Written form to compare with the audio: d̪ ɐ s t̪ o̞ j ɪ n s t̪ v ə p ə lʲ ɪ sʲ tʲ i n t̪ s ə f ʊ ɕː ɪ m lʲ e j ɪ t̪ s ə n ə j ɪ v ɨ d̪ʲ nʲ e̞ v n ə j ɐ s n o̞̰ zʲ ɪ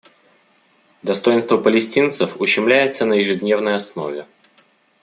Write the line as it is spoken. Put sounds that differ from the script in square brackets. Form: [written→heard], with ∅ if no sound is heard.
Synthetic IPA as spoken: d̪ ɐ s t̪ o̞ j ɪ n s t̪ v ə p ə lʲ ɪ sʲ tʲ i n t̪ s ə f ʊ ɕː ɪ m lʲ [e→æ] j ɪ t̪ s ə n ə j ɪ [v→ʐ] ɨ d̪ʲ nʲ e̞ v n ə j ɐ s n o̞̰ [zʲ→vʲ] ɪ